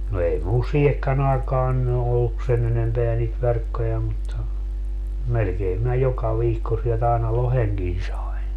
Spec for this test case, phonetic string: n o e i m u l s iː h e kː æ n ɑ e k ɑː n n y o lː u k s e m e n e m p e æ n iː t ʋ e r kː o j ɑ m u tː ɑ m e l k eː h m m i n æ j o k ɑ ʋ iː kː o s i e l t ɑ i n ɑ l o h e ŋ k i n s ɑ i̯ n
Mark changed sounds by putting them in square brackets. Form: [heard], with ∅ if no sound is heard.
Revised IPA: n o e i m u l s iː h e kː æ n ɑ e k ɑː n n y o lː u k s e [n] e n e m p e æ n iː t ʋ e r kː o j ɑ m u tː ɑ m e l k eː [∅] m m i n æ j o k ɑ ʋ iː kː o s i e l t ɑ i n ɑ l o h e ŋ k i n s ɑ i̯ n